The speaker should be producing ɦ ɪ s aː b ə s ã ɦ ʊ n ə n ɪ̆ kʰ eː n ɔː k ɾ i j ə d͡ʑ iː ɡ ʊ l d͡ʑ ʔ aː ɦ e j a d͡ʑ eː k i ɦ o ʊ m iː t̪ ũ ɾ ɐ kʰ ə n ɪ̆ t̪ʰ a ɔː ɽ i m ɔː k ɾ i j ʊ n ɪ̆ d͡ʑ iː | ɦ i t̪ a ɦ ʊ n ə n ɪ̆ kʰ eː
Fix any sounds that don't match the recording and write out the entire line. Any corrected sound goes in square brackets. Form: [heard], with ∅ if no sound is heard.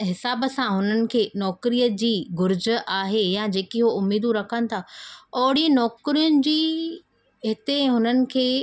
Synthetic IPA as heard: ɦ ɪ s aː b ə s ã ɦ ʊ n ə n ɪ̆ kʰ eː n ɔː k ɾ i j ə d͡ʑ iː ɡ ʊ [ɾ] d͡ʑ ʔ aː ɦ e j a d͡ʑ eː k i ɦ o ʊ m iː [d̪] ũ ɾ ɐ kʰ ə n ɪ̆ t̪ʰ a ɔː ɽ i [n] ɔː k ɾ i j ʊ n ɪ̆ d͡ʑ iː | ɦ [ɪ] t̪ [e] ɦ ʊ n ə n ɪ̆ kʰ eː